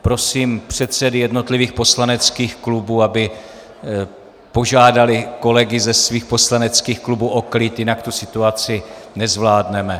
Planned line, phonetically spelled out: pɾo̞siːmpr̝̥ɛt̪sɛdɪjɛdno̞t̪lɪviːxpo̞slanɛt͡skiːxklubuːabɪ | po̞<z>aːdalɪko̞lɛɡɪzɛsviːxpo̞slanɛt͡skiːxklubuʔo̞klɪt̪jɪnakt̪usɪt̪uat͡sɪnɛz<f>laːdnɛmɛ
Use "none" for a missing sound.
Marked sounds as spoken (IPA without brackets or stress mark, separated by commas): ʒ, v